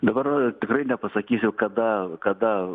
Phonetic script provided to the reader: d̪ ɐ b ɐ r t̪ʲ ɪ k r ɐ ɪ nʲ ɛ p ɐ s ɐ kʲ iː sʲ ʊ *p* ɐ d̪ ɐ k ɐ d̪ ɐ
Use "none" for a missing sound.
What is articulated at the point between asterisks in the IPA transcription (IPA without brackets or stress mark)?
k